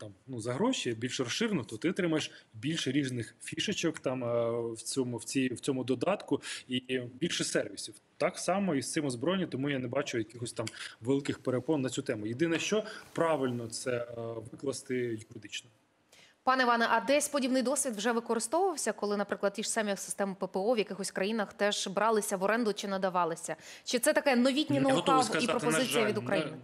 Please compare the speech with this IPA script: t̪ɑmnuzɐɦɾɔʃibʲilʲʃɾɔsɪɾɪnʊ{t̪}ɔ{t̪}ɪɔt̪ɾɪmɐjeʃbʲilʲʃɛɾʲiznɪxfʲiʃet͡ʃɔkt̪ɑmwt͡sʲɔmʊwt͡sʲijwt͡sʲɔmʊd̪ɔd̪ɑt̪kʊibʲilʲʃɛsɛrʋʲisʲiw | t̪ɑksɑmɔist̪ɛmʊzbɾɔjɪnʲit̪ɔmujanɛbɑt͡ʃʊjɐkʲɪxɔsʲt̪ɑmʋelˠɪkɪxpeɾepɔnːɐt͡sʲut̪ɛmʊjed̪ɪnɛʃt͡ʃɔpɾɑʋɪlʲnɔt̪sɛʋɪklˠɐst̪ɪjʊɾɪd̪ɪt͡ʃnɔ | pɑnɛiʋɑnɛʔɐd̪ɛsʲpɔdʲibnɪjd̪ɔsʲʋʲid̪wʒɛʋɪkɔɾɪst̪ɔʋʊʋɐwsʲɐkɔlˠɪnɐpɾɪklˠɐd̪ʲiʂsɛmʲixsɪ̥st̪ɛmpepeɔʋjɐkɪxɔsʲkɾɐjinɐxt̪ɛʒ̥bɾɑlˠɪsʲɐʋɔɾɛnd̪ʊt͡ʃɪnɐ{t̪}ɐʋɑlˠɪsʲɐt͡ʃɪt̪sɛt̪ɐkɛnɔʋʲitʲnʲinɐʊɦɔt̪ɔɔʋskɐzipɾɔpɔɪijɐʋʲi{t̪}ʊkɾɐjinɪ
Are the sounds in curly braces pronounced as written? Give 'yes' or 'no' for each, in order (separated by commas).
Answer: yes, yes, no, no